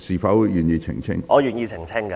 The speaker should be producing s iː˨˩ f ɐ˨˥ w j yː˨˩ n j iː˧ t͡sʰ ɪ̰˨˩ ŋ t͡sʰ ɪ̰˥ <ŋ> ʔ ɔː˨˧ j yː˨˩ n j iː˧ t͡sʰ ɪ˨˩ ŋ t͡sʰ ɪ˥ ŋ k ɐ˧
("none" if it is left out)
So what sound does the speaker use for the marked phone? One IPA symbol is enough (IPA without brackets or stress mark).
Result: ŋ